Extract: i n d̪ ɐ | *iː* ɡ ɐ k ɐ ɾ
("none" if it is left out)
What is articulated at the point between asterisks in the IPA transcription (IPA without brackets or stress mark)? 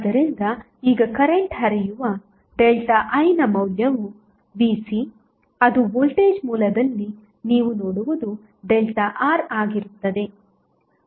iː